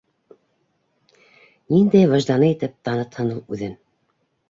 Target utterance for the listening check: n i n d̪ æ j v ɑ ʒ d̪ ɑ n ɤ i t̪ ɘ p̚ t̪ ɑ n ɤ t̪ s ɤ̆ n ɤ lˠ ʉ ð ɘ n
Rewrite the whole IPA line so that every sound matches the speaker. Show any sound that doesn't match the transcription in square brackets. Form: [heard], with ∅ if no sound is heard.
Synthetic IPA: n i n d̪ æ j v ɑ ʒ d̪ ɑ n ɤ i t̪ ɘ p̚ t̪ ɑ n ɤ t̪ [h] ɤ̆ n ɤ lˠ ʉ ð ɘ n